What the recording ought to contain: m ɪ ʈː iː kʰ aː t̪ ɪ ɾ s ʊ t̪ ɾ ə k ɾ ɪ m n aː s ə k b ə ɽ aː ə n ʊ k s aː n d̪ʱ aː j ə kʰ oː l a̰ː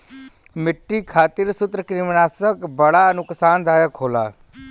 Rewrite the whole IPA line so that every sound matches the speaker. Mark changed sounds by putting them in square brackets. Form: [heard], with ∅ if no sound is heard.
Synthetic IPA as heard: m ɪ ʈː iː kʰ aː t̪ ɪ ɾ s ʊ t̪ ɾ ə k ɾ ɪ m n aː s ə k b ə ɽ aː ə n ʊ k s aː n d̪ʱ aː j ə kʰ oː l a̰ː

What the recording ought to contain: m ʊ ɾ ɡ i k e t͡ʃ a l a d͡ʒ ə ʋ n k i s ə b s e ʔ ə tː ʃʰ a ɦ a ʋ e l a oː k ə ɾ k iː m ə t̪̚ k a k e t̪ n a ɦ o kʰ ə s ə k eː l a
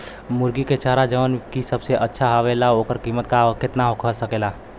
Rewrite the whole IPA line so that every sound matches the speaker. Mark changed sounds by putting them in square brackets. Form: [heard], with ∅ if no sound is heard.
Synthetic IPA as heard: m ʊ ɾ ɡ i k e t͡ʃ a [ɾ] a d͡ʒ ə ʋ n k i s ə b s e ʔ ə tː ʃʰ a ɦ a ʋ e l a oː k ə ɾ k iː m ə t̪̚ k a k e t̪ n a ɦ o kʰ ə s ə k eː l a

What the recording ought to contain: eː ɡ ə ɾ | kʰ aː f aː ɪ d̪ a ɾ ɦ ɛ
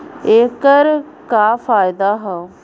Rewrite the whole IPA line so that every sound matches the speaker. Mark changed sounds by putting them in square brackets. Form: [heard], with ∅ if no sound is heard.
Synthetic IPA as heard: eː [k] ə ɾ | [k] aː f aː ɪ d̪ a [∅] ɦ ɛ

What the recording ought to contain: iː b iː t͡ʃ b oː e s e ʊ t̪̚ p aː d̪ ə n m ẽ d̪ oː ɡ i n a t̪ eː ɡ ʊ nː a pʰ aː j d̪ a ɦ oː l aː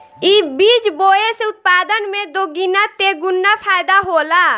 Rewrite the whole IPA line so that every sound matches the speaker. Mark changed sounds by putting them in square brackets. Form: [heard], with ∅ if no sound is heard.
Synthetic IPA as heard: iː b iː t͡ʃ b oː e s e ʊ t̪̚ p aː d̪ ə n m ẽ d̪ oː ɡ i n a t̪ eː ɡ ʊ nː a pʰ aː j d̪ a ɦ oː l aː

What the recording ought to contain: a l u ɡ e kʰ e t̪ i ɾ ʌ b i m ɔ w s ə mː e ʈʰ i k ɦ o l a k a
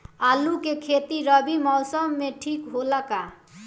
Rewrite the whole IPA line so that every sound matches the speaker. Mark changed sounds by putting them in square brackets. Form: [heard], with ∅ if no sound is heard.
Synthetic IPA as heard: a l u [k] e kʰ e t̪ i ɾ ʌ b i m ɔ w s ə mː e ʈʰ i k ɦ o l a k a

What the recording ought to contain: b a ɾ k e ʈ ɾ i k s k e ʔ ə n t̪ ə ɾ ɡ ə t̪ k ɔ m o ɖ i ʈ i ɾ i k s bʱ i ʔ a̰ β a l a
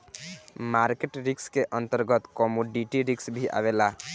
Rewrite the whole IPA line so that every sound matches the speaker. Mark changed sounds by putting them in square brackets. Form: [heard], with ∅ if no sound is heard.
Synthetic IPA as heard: [m] a ɾ k e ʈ ɾ i k s k e ʔ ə n t̪ ə ɾ ɡ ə t̪ k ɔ m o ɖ i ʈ i ɾ i k s bʱ i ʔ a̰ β [e] l a

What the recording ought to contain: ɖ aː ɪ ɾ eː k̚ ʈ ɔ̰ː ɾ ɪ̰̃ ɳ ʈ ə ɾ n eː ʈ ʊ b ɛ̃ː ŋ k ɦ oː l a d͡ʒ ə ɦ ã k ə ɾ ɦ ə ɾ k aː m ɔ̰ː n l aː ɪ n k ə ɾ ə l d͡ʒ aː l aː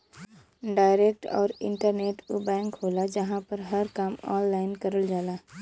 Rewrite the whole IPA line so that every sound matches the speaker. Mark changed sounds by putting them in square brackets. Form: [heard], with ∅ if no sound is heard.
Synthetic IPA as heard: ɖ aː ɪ ɾ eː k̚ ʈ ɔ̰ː ɾ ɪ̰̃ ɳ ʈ ə ɾ n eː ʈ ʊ b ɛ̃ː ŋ k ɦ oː l a d͡ʒ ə ɦ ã [p] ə ɾ ɦ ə ɾ k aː m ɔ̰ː n l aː ɪ n k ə ɾ ə l d͡ʒ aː l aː

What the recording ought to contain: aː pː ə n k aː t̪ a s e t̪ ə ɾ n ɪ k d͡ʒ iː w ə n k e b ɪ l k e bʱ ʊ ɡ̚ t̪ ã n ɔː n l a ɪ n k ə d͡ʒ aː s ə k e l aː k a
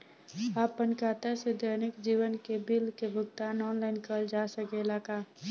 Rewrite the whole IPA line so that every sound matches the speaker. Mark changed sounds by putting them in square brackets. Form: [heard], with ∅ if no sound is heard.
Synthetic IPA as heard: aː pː ə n k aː t̪ a s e [d̪] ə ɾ n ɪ k d͡ʒ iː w ə n k e b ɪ l k e bʱ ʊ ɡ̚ t̪ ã n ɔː n l a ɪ n k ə d͡ʒ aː s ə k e l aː k a

